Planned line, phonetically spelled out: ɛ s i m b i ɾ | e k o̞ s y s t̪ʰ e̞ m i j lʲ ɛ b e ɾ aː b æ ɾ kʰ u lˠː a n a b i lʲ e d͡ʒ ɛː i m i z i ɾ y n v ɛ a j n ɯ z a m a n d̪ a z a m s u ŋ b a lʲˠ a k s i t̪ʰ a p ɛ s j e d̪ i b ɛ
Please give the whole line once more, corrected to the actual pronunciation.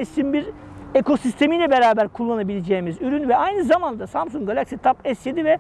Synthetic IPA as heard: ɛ s i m b i ɾ | e k o̞ s i s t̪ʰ e̞ m i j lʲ ɛ b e ɾ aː b æ ɾ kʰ u lˠː a n a b i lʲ e d͡ʒ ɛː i m i z y ɾ y n v ɛ a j n ɯ z a m a n d̪ a s a m s u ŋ ɡ a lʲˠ a k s i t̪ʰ a p ɛ s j e d̪ i v ɛ